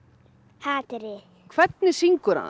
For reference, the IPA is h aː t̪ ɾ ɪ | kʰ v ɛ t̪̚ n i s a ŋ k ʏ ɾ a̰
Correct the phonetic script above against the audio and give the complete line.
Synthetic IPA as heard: h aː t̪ ɾ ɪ | kʰ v ɛ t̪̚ n ɪ s i ŋ k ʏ ɾ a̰